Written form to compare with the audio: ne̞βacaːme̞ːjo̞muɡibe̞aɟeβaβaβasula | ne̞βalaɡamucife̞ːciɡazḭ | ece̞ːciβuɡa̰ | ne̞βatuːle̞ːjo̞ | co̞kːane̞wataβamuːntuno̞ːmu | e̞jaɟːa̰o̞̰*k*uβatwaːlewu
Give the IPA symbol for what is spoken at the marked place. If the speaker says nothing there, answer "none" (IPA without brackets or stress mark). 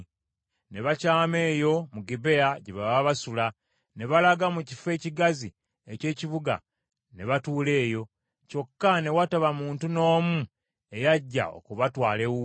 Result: k